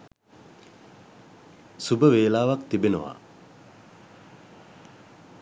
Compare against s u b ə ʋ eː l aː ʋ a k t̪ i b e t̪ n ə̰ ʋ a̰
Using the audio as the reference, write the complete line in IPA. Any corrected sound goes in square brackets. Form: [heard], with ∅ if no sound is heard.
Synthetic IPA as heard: s u b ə ʋ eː l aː ʋ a k t̪ i b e [∅] n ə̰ ʋ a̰